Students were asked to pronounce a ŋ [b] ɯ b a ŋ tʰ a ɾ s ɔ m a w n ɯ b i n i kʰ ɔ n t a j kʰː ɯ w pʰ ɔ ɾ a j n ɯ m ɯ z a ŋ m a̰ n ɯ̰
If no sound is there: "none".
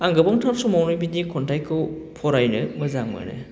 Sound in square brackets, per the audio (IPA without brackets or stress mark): ɡ